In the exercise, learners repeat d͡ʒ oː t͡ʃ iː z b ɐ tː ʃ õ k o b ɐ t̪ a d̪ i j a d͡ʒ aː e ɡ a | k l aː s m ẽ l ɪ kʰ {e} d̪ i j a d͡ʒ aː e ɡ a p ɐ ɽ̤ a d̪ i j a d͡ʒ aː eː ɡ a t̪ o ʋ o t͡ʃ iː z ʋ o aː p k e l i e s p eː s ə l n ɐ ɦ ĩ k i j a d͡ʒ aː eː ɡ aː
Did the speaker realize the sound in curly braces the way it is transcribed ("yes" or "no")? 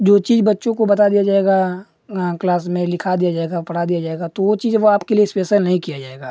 no